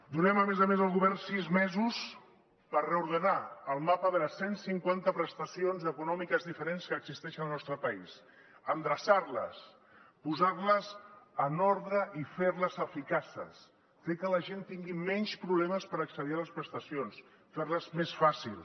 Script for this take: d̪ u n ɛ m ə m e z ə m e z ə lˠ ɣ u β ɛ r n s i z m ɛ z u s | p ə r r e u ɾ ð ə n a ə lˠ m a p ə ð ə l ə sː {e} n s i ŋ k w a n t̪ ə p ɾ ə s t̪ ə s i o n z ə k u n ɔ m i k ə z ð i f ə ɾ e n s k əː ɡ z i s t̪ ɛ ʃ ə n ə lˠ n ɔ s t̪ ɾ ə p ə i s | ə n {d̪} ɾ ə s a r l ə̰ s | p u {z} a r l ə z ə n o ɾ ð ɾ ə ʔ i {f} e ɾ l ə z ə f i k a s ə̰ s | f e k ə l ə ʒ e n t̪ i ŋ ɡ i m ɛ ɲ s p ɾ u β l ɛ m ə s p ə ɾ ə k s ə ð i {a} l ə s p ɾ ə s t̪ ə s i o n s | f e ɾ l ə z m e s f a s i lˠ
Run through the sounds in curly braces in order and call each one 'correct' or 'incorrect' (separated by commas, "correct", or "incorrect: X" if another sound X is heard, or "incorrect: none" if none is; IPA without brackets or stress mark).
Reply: correct, correct, correct, correct, correct